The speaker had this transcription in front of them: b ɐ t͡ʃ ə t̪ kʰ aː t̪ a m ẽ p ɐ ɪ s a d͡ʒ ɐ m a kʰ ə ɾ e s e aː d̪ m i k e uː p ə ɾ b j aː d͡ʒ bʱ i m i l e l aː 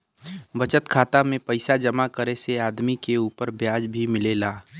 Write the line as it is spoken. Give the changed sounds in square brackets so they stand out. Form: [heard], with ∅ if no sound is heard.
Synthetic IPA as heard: b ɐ t͡ʃ ə t̪ kʰ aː t̪ a m ẽ p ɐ ɪ s a d͡ʒ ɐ m a [k] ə ɾ e s e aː d̪ m i k e uː p ə ɾ b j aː d͡ʒ bʱ i m [ɪ] l e l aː

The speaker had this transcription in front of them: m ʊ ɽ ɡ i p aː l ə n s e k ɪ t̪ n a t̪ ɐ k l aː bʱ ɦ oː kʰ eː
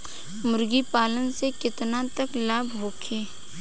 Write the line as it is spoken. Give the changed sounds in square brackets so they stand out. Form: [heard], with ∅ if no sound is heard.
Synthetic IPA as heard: m ʊ [ɾ] ɡ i p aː l ə n s e k ɪ t̪ n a t̪ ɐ k l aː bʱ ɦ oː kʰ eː

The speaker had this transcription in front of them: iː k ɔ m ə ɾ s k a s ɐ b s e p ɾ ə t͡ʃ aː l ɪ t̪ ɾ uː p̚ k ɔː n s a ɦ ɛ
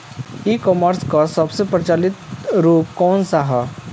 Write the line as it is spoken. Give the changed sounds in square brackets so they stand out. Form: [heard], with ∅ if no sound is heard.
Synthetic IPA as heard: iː k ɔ m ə ɾ s k a s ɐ b s e p ɾ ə t͡ʃ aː l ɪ t̪ ɾ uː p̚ k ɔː n s a ɦ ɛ

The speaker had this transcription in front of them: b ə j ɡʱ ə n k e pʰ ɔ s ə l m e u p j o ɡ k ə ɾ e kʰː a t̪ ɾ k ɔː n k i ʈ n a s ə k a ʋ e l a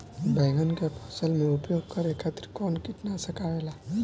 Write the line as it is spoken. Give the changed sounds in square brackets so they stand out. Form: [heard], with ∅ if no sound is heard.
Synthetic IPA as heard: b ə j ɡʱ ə n k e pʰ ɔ s ə l m e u p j o ɡ k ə ɾ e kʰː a t̪ ɾ k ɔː n k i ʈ n a s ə k a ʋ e l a

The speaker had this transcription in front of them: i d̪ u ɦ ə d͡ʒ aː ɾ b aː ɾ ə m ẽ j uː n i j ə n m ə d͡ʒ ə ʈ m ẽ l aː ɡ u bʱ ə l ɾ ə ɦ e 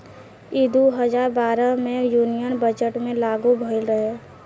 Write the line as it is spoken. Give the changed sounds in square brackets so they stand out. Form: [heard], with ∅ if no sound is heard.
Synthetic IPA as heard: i d̪ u ɦ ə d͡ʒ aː ɾ b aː ɾ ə m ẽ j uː n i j ə n [b] ə d͡ʒ ə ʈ m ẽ l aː ɡ u bʱ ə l ɾ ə ɦ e

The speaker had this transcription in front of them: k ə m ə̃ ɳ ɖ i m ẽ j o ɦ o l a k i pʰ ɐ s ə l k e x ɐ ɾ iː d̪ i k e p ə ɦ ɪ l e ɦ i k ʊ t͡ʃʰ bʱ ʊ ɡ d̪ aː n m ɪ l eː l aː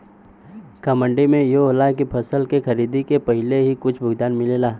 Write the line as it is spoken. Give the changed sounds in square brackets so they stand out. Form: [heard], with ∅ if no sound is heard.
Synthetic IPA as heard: k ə m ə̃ ɳ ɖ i m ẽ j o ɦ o l a k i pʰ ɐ s ə l k e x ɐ ɾ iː d̪ i k e p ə ɦ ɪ l e ɦ i k ʊ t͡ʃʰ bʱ ʊ ɡ d̪ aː n m ɪ l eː l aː

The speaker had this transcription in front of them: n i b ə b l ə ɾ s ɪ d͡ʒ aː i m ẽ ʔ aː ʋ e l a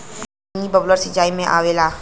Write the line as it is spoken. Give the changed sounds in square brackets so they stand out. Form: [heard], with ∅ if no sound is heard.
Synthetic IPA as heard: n i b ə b l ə ɾ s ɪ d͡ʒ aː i m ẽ ʔ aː ʋ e l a

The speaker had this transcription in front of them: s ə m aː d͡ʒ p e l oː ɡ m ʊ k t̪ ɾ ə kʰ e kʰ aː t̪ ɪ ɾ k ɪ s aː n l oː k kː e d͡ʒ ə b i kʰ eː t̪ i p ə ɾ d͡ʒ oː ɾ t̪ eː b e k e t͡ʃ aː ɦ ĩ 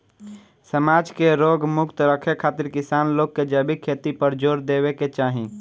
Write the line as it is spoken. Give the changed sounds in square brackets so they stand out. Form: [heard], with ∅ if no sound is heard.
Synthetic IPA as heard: s ə m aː d͡ʒ [k] e [ɾ] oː ɡ m ʊ k t̪ ɾ ə kʰ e kʰ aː t̪ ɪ ɾ k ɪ s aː n l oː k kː e d͡ʒ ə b i kʰ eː t̪ i p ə ɾ d͡ʒ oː ɾ [d̪] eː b e k e t͡ʃ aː ɦ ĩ

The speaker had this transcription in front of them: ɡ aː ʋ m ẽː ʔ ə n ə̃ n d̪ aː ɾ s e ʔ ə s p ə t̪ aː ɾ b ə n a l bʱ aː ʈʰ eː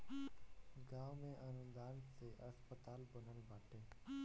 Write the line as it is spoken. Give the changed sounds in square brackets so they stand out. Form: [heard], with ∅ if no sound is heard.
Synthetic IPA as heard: ɡ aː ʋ m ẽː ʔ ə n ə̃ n d̪ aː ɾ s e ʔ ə s p ə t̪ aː [l] b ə n [ə] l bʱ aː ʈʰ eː

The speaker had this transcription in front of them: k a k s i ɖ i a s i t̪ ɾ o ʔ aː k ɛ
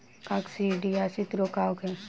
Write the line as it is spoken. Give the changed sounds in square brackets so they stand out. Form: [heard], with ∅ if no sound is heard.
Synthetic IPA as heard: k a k s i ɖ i a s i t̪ ɾ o [k] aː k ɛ

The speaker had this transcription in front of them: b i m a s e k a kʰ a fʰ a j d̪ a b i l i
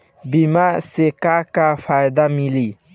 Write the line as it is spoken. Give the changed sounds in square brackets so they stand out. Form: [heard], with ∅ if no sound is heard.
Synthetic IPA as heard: b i m a s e k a [k] a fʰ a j d̪ a [m] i l i

